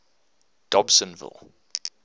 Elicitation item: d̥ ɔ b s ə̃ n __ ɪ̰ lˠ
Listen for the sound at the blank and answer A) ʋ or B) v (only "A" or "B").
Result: B